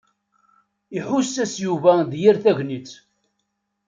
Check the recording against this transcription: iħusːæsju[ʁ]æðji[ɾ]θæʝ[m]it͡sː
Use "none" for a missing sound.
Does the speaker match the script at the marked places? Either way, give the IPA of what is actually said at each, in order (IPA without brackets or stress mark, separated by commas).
v, ɾ, n